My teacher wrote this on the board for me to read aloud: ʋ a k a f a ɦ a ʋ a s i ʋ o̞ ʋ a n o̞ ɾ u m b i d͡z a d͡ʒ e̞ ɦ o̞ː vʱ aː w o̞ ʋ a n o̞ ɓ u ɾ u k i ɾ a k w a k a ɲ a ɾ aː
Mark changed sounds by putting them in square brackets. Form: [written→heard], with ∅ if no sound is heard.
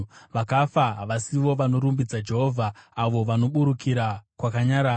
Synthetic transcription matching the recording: ʋ a k a f a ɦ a ʋ a s i ʋ o̞ ʋ a n o̞ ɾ u m b i d͡z a d͡ʒ e̞ ɦ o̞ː vʱ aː [w→ʋ] o̞ ʋ a n o̞ ɓ u ɾ u k i ɾ a k w a k a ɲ a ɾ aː